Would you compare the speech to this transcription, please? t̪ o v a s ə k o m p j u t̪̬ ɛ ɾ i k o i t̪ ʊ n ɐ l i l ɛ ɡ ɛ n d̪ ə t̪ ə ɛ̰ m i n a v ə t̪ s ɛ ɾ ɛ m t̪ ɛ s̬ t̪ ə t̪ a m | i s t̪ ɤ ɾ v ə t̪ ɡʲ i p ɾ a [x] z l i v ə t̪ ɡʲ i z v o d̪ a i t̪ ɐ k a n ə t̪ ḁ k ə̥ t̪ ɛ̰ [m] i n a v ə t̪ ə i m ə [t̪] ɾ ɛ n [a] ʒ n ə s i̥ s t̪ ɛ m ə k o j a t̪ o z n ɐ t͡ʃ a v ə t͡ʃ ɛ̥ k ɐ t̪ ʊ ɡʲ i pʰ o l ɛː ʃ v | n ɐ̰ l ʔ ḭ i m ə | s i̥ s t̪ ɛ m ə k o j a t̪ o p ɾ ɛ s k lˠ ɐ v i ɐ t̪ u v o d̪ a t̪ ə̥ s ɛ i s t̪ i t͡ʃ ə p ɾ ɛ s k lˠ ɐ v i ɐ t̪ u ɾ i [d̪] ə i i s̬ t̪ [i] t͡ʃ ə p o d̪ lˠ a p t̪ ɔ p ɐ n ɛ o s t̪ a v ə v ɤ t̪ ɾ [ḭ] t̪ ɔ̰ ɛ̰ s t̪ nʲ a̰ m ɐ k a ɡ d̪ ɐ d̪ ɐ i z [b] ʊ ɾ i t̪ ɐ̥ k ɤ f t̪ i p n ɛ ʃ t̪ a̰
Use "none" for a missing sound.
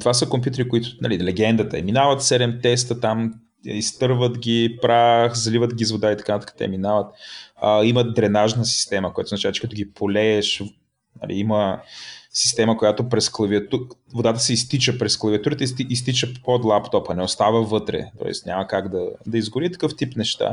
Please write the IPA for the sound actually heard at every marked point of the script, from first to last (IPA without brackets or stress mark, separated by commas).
x, m, d̪, a, t̪, i, ɛ̰, ɡ